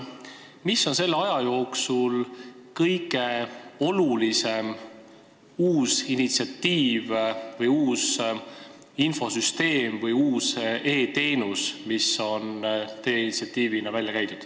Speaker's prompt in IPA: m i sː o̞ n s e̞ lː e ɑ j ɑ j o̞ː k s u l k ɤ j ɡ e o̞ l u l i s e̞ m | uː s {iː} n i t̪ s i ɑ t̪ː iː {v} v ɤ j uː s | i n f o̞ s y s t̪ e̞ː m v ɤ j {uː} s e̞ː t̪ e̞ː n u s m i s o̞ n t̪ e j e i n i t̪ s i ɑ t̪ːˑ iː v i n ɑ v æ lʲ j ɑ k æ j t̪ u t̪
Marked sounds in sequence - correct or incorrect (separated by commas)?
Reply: incorrect, correct, correct